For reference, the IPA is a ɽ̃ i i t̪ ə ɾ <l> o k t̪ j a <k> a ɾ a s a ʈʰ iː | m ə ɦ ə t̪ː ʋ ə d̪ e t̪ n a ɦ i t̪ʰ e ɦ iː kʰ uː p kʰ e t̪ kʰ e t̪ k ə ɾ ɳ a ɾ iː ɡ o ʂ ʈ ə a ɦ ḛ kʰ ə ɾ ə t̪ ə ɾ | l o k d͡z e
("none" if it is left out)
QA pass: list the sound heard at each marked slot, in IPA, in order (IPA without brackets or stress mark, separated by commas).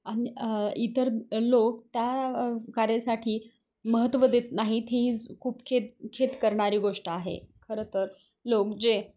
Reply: l, k